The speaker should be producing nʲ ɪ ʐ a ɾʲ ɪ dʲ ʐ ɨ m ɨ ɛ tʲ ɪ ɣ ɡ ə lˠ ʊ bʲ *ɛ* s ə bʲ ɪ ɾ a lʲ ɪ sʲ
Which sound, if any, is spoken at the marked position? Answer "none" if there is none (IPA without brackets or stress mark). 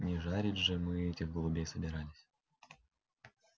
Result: e